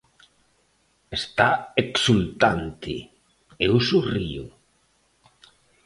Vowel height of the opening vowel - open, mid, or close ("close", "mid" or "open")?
mid